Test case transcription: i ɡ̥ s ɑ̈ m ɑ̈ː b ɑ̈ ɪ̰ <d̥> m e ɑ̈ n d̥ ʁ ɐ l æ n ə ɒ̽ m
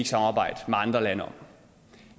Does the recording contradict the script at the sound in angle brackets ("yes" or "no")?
no